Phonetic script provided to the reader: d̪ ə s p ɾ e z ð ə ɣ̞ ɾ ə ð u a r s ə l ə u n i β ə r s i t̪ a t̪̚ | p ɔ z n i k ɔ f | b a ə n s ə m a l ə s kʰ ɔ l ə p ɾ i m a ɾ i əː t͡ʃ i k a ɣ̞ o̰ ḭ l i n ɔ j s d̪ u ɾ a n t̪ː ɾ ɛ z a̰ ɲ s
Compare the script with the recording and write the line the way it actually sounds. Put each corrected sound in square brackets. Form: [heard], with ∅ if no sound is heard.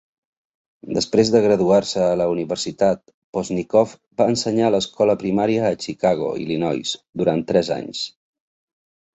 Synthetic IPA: d̪ ə s p ɾ e z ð ə ɣ̞ ɾ ə ð u a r s [əː] l ə u n i β ə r s i t̪ a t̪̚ | p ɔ z n i k ɔ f | b a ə n s ə [ɲ] a l ə s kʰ ɔ l ə p ɾ i m a ɾ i əː t͡ʃ i k a ɣ̞ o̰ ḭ l i n ɔ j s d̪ u ɾ a n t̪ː ɾ ɛ z a̰ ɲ s